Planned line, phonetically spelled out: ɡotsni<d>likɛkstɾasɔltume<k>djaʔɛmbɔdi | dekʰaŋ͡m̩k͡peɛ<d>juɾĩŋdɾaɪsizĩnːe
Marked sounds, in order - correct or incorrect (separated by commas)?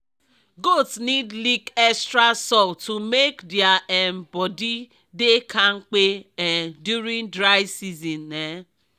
correct, correct, correct